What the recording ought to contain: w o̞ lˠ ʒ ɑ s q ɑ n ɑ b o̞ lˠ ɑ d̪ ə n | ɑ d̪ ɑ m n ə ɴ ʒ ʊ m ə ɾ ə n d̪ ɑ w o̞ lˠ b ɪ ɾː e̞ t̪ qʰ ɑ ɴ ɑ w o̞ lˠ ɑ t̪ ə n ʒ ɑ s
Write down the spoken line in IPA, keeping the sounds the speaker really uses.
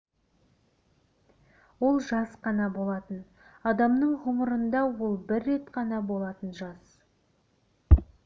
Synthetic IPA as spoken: w o̞ lˠ ʒ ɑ s q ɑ n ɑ b o̞ lˠ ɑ t̪ ə n | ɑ d̪ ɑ m n ə ɴ ʁ ʊ m ə ɾ ə n d̪ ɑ w o̞ lˠ b ɪ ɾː e̞ t̪ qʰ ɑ n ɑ b o̞ lˠ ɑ t̪ ə n ʒ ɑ s